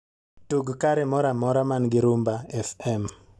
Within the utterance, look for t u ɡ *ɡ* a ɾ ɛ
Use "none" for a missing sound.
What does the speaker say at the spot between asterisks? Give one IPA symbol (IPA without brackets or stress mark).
k